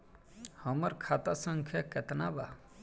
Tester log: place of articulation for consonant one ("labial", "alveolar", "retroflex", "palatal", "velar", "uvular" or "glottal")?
glottal